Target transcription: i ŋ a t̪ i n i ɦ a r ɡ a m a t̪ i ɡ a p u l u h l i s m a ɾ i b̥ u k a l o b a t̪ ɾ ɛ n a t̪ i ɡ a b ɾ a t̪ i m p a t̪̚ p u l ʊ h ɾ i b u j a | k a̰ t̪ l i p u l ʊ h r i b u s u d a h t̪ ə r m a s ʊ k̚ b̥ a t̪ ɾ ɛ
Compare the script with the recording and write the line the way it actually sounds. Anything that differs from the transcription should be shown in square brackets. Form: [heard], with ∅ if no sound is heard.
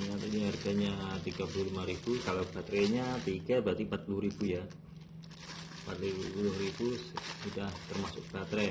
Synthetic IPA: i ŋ a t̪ i n i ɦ a r ɡ a [ɲ] a t̪ i ɡ a p u l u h l i [∅] m a ɾ i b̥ u k a l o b a t̪ ɾ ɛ [ɲ] a t̪ i ɡ a b ɾ a t̪ i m p a t̪̚ p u l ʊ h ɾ i b u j a | [p] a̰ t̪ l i p u l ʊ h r i b u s u d a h t̪ ə r m a s ʊ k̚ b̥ a t̪ ɾ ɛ

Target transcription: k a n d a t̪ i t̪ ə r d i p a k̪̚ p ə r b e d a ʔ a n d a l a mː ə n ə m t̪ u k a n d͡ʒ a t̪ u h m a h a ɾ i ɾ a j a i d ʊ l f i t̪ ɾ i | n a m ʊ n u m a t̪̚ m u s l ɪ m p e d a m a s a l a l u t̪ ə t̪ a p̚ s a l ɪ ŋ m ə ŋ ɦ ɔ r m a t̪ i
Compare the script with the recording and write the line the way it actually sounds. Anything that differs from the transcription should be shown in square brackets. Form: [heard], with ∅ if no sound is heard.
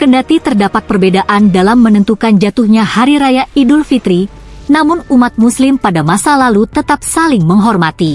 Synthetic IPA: k [ə] n d a t̪ i t̪ ə r d [a] p a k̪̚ p ə r b e d a ʔ a n d a l a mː ə n ə [n] t̪ u k a n d͡ʒ a t̪ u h [ɲ] a h a ɾ i ɾ a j a i d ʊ l f i t̪ ɾ i | n a m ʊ n u m a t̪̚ m u s l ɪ m p [a] d a m a s a l a l u t̪ ə t̪ a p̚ s a l ɪ ŋ m ə ŋ ɦ ɔ r m a t̪ i

